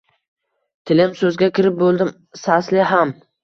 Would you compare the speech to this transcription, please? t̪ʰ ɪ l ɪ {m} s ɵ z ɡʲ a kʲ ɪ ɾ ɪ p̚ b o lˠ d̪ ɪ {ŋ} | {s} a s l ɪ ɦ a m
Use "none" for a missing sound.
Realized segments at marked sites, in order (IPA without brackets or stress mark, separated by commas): m, m, s